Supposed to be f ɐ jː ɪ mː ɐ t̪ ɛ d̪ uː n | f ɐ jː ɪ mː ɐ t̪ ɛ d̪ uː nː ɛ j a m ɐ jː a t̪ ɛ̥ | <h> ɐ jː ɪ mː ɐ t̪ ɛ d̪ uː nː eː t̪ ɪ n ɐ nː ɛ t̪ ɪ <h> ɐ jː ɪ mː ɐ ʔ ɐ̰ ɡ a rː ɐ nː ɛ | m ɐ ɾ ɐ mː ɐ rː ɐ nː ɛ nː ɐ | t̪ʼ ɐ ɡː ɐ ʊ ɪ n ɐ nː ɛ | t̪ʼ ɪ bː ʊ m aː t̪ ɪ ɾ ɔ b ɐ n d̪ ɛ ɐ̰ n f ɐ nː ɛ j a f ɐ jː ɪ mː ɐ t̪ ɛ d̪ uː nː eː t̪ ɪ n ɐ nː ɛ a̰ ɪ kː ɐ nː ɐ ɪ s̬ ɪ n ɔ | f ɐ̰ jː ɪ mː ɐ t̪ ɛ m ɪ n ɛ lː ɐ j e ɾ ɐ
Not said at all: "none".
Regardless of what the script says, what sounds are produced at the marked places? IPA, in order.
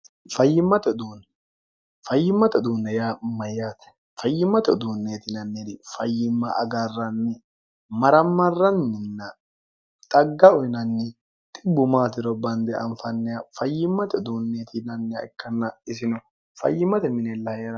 f, f

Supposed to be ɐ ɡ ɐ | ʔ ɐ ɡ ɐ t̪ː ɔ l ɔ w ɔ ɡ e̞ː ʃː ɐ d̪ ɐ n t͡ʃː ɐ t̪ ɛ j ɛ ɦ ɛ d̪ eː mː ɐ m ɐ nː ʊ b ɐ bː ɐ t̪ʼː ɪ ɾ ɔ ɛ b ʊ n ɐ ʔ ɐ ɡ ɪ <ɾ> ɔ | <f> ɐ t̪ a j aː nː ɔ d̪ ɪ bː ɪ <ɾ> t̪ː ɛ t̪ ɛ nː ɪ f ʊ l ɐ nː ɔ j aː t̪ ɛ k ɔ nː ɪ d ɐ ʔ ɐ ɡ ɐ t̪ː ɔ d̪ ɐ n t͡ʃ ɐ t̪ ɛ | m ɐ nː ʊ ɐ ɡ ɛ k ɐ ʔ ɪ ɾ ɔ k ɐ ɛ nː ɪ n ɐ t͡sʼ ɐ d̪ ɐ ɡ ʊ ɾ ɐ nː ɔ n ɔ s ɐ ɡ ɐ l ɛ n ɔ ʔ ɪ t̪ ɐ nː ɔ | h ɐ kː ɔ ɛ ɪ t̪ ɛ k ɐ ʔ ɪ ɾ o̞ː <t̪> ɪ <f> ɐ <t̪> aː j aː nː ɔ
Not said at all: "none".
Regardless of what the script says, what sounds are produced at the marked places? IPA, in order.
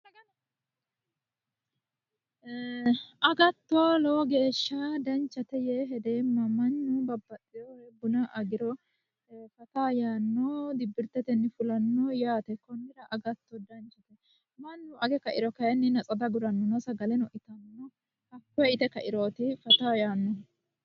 ɾ, f, ɾ, t̪, f, t̪

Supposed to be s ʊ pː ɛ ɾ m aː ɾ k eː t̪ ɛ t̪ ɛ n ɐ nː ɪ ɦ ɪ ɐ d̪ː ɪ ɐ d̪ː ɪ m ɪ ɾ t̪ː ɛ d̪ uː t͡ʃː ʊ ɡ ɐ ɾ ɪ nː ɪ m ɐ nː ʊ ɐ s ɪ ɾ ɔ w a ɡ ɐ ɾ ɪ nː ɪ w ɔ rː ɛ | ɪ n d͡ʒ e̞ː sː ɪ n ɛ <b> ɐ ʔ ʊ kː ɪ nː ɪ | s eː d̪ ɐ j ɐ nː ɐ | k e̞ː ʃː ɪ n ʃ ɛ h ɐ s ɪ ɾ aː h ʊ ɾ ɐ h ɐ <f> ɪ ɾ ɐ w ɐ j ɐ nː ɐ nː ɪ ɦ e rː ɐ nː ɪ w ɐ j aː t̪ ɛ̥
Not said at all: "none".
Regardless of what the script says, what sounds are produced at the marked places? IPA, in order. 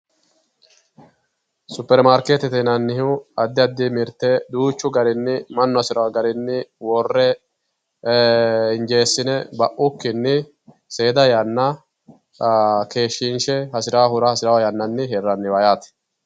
b, s

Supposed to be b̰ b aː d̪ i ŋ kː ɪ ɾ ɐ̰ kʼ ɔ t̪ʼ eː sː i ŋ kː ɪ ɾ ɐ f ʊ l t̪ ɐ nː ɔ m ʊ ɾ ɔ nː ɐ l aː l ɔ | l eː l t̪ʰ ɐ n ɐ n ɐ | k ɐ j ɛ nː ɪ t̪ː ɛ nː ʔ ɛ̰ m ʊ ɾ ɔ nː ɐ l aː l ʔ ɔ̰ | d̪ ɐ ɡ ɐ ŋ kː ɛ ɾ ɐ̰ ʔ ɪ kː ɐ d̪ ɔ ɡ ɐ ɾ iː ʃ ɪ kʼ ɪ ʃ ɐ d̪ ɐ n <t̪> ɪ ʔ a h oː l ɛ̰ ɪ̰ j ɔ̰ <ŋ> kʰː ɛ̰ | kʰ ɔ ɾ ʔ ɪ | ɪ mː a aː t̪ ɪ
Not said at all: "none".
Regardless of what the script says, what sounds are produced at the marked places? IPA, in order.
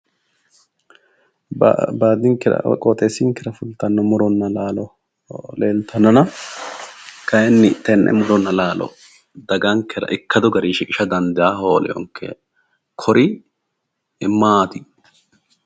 d̪, ŋ

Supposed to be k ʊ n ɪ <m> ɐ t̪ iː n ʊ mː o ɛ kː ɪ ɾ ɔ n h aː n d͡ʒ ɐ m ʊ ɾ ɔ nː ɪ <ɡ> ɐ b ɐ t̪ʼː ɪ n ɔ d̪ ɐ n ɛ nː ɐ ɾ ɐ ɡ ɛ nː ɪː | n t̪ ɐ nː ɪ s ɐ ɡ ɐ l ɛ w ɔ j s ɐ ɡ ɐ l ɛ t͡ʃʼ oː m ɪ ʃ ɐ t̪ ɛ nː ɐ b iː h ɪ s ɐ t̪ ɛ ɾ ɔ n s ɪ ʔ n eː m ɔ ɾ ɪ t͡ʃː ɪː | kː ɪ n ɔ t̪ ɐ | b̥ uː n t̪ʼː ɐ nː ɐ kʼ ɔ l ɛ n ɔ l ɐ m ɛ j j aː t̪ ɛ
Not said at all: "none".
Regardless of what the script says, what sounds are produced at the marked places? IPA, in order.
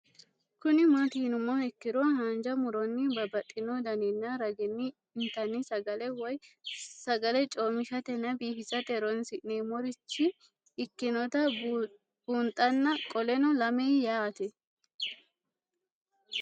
m, b

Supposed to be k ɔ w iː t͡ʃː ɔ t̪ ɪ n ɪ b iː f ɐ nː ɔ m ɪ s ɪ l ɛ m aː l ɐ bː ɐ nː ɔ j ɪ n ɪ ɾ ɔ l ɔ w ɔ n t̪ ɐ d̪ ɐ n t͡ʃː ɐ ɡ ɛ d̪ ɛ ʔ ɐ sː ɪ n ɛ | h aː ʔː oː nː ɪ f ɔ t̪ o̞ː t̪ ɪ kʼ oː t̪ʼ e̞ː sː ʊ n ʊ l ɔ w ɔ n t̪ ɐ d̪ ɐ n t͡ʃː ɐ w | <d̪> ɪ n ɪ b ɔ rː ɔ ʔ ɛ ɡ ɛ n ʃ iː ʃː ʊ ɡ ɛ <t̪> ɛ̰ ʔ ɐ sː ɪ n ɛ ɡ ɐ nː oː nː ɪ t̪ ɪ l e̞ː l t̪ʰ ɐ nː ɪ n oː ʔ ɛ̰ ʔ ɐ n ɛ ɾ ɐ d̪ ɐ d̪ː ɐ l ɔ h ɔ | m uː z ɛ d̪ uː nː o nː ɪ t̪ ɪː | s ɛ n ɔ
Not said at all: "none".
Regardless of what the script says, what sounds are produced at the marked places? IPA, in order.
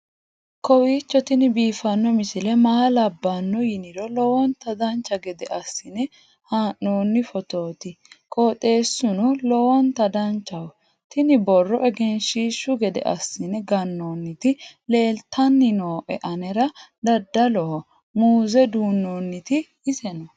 t̪, d̪

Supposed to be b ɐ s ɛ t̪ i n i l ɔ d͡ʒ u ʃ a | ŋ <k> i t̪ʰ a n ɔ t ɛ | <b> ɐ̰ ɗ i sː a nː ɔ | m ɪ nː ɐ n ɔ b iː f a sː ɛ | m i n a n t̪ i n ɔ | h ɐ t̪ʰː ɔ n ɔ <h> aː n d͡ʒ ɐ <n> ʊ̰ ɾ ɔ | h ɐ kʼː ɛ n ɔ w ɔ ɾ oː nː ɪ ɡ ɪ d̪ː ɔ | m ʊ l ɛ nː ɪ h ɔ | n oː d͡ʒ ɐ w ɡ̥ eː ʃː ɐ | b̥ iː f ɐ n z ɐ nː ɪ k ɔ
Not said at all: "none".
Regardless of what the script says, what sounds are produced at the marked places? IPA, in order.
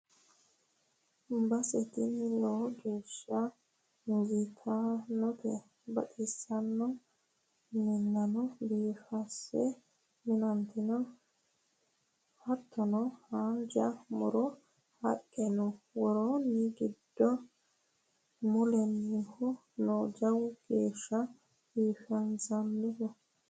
ɡ, b, h, m

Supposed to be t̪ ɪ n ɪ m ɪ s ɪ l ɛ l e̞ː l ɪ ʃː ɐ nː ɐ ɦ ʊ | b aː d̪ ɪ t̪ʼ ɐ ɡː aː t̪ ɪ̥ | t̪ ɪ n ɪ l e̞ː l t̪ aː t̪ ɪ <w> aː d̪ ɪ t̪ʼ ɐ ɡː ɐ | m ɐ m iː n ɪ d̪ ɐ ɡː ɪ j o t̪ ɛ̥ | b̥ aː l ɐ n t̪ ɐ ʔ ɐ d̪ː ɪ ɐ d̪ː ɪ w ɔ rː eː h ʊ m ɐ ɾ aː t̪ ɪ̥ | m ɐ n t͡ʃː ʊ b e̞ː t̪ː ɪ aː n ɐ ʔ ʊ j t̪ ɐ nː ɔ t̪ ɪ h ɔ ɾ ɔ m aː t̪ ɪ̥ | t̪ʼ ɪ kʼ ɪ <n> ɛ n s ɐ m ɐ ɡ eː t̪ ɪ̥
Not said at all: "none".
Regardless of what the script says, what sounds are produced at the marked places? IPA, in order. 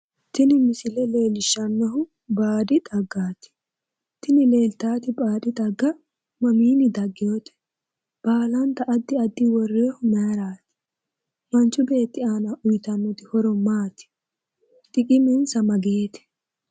b, m

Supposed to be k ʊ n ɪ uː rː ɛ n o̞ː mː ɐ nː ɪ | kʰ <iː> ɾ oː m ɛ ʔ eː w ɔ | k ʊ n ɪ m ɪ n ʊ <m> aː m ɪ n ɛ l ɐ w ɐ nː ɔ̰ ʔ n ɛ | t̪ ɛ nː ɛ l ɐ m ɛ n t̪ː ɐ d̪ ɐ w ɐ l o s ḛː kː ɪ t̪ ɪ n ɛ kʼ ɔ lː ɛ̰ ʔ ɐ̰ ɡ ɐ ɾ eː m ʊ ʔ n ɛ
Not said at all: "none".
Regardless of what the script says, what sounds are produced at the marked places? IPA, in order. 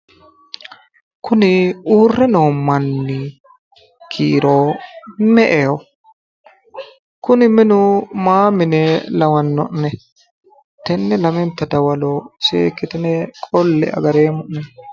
iː, m

